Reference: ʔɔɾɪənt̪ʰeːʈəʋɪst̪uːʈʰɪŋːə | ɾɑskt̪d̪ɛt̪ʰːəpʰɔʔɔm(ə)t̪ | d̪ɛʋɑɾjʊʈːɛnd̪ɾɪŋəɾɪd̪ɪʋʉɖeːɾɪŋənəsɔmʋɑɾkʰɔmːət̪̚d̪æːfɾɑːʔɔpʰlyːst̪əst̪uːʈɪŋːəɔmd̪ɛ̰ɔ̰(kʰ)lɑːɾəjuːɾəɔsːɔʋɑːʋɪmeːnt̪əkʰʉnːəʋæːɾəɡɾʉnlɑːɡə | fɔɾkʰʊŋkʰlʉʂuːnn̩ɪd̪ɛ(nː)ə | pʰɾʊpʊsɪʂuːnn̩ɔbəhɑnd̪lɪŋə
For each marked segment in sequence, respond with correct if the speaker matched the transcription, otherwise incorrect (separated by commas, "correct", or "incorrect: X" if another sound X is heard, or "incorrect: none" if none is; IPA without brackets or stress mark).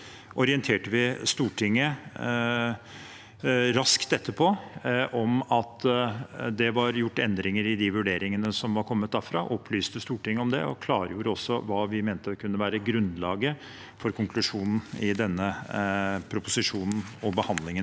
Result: incorrect: ɑ, correct, correct